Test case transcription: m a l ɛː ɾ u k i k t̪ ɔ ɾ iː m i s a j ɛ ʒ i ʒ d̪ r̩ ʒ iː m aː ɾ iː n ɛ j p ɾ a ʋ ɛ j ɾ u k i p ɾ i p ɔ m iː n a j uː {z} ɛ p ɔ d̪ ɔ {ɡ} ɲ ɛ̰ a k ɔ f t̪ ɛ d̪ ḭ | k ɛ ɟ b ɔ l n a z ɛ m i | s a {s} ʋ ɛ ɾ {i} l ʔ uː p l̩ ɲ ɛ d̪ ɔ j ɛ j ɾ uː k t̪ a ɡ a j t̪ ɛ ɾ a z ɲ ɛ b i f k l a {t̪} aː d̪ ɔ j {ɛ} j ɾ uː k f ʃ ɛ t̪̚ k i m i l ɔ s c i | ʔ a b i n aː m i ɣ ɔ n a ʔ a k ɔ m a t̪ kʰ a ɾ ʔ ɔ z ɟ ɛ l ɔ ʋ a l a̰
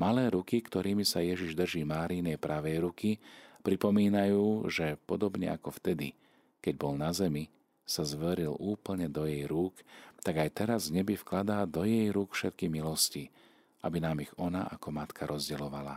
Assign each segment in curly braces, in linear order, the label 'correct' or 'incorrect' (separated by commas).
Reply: incorrect, incorrect, incorrect, correct, incorrect, correct